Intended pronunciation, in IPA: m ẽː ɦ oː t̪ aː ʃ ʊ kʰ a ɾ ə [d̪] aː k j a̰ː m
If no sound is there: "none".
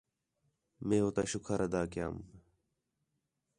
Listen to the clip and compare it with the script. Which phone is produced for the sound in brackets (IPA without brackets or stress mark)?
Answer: d̪